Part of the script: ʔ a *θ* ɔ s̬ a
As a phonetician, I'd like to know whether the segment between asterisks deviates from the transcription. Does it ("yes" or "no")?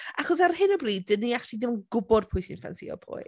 yes